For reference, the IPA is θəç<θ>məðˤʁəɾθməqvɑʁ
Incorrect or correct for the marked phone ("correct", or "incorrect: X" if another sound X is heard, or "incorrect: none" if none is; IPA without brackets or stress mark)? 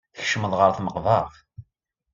incorrect: ʃ